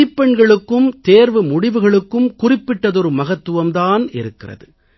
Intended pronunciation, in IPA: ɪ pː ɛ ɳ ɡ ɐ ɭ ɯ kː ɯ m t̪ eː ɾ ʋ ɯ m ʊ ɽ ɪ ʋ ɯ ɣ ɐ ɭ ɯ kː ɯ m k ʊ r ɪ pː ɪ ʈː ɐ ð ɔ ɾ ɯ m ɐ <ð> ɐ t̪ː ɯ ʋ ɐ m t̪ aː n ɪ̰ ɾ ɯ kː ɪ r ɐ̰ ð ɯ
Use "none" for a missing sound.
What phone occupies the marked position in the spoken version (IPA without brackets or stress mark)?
ɣ